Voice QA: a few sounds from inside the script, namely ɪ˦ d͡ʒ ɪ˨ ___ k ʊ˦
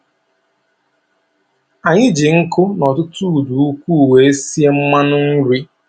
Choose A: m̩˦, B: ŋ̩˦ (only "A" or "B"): B